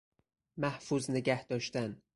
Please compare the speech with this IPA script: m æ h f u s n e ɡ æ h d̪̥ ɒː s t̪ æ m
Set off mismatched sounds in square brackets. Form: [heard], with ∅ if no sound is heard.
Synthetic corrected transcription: m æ h f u [z] n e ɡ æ h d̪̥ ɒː [ʃ] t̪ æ [n]

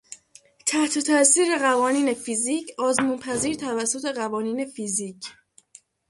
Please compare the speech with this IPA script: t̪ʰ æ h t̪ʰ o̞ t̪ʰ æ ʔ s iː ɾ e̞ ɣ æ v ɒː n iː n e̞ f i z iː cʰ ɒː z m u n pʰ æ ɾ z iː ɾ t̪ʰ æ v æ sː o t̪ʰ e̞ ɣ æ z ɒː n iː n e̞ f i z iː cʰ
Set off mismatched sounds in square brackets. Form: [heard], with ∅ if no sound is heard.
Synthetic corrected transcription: t̪ʰ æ h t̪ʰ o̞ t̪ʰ æ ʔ s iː ɾ e̞ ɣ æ v ɒː n iː n e̞ f i z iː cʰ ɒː z m u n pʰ æ [∅] z iː ɾ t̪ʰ æ v æ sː o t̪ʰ e̞ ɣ æ [v] ɒː n iː n e̞ f i z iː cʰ

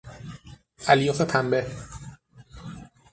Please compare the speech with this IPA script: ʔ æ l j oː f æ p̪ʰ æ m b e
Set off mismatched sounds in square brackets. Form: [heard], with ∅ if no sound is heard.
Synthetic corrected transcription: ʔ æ l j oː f [e] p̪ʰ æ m b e

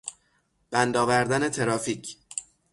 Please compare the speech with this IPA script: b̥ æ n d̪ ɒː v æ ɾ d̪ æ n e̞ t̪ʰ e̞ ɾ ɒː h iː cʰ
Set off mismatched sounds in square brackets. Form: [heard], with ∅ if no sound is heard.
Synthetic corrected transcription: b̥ æ n d̪ ɒː v æ ɾ d̪ æ n e̞ t̪ʰ e̞ ɾ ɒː [f] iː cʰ

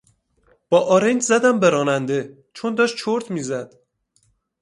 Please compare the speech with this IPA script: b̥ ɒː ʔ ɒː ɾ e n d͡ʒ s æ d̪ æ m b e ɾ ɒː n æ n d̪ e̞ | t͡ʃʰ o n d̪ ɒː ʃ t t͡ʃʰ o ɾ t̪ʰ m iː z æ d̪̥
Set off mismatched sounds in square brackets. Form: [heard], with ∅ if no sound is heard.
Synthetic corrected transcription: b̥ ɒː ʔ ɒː ɾ e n d͡ʒ [z] æ d̪ æ m b e ɾ ɒː n æ n d̪ e̞ | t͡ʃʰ o n d̪ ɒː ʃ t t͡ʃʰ o ɾ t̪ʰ m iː z æ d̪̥

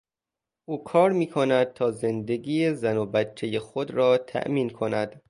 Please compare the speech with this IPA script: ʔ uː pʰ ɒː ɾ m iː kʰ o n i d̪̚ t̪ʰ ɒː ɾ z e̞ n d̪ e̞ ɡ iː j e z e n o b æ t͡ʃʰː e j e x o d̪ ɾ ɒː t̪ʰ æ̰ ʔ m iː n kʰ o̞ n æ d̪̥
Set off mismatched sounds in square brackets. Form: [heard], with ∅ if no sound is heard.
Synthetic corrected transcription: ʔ uː [kʰ] ɒː ɾ m iː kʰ o n [æ] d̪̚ t̪ʰ ɒː [∅] z e̞ n d̪ e̞ ɡ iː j e z [æ] n o b æ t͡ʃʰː e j e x o d̪ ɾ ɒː t̪ʰ æ̰ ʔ m iː n kʰ o̞ n æ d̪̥

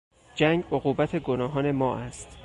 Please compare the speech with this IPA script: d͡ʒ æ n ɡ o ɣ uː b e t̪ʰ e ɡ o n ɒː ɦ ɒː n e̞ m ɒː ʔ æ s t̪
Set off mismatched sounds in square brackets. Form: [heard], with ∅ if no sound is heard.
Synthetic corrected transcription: d͡ʒ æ [ŋ] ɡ o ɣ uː b [æ] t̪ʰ e ɡ o n ɒː ɦ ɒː n e̞ m ɒː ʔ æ s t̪

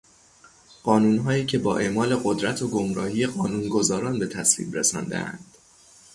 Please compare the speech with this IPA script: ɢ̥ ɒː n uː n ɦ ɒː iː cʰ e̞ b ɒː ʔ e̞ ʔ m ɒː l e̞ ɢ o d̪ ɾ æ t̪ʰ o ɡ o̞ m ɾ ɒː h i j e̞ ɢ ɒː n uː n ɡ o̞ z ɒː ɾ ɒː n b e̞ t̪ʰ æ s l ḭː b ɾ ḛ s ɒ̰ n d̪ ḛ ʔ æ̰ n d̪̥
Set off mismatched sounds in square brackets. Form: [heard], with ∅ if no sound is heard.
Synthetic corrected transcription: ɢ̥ ɒː n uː n ɦ ɒː iː cʰ e̞ b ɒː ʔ e̞ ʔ m ɒː l e̞ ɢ o d̪ ɾ æ t̪ʰ o ɡ o̞ m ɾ ɒː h i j e̞ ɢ ɒː n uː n ɡ o̞ z ɒː ɾ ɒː n b e̞ t̪ʰ æ s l ḭː b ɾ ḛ s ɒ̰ n d̪ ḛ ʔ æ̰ n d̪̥

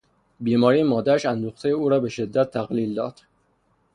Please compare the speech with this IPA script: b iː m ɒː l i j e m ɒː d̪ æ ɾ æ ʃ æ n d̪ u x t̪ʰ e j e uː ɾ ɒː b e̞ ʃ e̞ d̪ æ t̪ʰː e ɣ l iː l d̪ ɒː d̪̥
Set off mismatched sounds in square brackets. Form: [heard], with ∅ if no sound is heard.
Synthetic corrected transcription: b iː m ɒː [ɾ] i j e m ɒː d̪ æ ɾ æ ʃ æ n d̪ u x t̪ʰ e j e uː ɾ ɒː b e̞ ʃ e̞ [d̪ː] æ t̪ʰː [æ] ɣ l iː l d̪ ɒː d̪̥

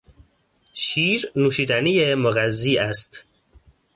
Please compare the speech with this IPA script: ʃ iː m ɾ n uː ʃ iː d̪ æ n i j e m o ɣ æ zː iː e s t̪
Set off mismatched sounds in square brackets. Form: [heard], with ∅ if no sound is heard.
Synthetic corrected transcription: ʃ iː [∅] ɾ n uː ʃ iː d̪ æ n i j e m o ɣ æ zː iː [æ] s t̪

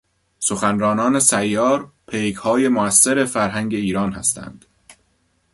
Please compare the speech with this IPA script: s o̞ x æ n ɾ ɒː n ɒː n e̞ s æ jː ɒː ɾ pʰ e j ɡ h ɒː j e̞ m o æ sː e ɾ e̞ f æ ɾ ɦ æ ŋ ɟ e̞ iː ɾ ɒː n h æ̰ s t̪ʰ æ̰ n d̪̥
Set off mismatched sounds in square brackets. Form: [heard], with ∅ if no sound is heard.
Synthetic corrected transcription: s o̞ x æ n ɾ ɒː n ɒː n e̞ s æ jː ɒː ɾ pʰ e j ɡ h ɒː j e̞ m o æ sː e ɾ e̞ f æ ɾ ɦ æ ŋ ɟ e̞ iː ɾ ɒː n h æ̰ s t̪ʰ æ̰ n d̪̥

